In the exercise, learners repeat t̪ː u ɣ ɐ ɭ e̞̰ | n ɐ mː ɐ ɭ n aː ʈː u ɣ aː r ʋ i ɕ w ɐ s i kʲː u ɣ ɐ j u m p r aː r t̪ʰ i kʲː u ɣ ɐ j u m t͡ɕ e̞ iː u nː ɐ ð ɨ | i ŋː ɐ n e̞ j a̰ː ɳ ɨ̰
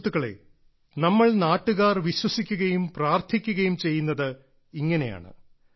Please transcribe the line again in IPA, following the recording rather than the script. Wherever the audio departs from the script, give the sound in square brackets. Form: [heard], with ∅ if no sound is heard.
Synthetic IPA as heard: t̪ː u ɣ ɐ ɭ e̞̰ | n ɐ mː ɐ ɭ n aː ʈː u ɣ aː r ʋ i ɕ w ɐ s i kʲː u ɣ ɐ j u m p r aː r t̪ʰ i kʲː u ɣ ɐ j u m t͡ɕ e̞ [jː] u nː ɐ ð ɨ | i ŋː ɐ n e̞ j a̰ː ɳ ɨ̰

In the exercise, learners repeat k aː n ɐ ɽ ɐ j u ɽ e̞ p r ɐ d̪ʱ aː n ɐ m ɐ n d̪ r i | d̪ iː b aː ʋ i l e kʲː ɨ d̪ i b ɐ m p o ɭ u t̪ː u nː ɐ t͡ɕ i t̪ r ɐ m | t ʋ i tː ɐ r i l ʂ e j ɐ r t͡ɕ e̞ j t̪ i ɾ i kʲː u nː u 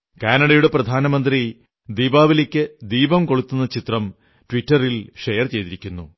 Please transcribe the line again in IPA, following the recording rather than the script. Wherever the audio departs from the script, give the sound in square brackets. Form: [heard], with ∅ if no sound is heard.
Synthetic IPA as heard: k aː n ɐ ɽ ɐ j u ɽ e̞ p r ɐ d̪ʱ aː n ɐ m ɐ n d̪ r i | d̪ iː b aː ʋ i l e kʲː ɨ d̪ [iː] b ɐ m [k] o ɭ u t̪ː u nː ɐ t͡ɕ i t̪ r ɐ m | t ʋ i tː ɐ r i l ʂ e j ɐ r t͡ɕ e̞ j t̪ i ɾ i kʲː u nː u

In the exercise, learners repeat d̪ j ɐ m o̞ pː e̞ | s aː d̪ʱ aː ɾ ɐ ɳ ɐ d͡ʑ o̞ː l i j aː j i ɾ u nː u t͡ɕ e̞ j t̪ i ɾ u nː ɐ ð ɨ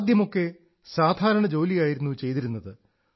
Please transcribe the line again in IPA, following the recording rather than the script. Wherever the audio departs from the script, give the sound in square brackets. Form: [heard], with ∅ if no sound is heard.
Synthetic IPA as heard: d̪ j ɐ m o̞ [kː] e̞ | s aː d̪ʱ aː ɾ ɐ ɳ ɐ d͡ʑ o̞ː l i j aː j i ɾ u nː u t͡ɕ e̞ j t̪ i ɾ u nː ɐ ð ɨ

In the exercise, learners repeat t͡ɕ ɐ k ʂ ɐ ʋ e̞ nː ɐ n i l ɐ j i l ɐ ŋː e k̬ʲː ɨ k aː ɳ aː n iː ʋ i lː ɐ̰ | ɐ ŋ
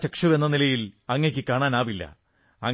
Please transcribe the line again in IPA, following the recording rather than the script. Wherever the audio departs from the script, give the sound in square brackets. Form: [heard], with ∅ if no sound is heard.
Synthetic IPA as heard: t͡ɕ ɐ k ʂ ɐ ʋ e̞ nː ɐ n i l ɐ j i l ɐ ŋː e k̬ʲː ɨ k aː ɳ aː n [aː] ʋ i lː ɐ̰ | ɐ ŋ

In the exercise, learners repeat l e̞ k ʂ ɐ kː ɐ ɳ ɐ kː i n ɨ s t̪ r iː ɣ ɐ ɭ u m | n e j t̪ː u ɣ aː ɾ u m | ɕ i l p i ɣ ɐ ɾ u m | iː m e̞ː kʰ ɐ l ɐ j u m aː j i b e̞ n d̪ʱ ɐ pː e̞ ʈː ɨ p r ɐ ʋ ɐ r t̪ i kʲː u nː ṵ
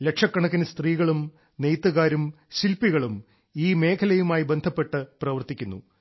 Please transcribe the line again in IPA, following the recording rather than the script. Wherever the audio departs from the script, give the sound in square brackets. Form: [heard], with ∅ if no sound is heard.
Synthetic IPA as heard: l e̞ k ʂ ɐ kː ɐ ɳ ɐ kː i n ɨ s t̪ r iː ɣ ɐ ɭ u m | n e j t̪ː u ɣ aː ɾ u m | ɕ i l p i ɣ ɐ [ɭ] u m | iː m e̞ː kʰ ɐ l ɐ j u m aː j i b e̞ n d̪ʱ ɐ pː e̞ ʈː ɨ p r ɐ ʋ ɐ r t̪ i kʲː u nː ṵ

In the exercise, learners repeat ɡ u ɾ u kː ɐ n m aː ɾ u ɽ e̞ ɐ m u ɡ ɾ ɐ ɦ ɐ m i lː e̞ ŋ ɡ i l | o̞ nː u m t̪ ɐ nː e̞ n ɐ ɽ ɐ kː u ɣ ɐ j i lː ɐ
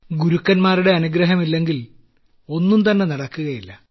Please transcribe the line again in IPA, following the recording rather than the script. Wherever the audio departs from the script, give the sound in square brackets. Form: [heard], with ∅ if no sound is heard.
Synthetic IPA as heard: ɡ u ɾ u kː ɐ n m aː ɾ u ɽ e̞ ɐ [n] u ɡ ɾ ɐ ɦ ɐ m i lː e̞ ŋ ɡ i l | o̞ nː u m t̪ ɐ nː e̞ n ɐ ɽ ɐ kː u ɣ ɐ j i lː ɐ

